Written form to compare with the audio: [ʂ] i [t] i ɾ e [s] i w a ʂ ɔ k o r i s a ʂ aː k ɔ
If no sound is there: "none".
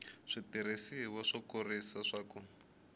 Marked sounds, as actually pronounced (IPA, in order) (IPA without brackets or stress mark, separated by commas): ʂ, t, s